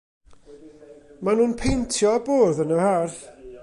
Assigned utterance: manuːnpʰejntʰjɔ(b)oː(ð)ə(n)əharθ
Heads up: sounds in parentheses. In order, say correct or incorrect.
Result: correct, correct, correct

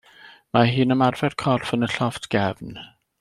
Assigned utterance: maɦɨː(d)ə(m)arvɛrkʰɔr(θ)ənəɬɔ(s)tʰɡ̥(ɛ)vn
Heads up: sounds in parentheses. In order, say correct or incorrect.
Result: incorrect, correct, incorrect, incorrect, correct

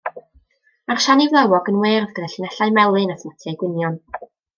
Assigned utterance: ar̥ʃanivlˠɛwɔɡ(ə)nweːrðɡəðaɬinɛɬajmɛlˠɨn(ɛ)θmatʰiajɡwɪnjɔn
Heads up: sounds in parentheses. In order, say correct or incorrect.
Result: correct, incorrect

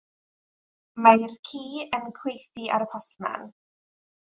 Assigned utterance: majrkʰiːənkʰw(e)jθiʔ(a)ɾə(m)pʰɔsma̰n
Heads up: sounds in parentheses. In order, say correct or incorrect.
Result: correct, correct, incorrect

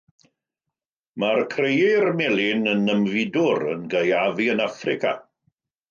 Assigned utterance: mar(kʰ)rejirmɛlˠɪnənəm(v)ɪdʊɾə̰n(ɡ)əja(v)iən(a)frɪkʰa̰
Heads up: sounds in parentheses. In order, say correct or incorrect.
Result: correct, correct, correct, correct, correct

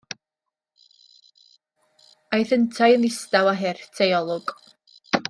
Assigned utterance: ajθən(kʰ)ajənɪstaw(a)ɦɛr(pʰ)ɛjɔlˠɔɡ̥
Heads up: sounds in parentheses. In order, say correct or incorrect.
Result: incorrect, correct, incorrect

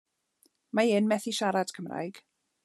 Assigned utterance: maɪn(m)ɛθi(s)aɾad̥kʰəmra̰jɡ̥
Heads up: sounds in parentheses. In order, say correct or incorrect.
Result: correct, incorrect

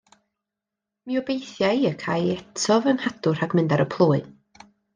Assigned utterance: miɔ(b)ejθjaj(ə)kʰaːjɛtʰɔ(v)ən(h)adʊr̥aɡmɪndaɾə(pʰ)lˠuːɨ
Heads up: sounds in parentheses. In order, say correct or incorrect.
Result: correct, correct, correct, correct, correct

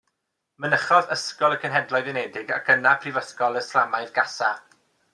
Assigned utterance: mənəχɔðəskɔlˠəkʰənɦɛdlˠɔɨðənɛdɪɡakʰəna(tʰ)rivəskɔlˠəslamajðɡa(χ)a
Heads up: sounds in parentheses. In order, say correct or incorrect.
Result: incorrect, incorrect

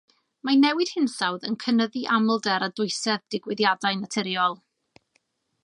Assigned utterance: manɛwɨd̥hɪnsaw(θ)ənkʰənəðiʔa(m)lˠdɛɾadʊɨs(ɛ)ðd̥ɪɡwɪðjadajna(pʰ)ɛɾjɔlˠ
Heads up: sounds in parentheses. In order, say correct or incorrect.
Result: incorrect, correct, correct, incorrect

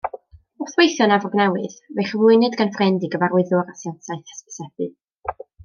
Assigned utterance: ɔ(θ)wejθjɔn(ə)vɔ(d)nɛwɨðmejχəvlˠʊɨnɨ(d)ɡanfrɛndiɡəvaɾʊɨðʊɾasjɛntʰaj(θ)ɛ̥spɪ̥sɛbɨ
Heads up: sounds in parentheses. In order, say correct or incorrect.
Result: correct, incorrect, incorrect, correct, correct

